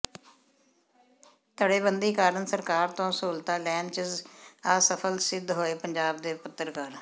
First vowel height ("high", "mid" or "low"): mid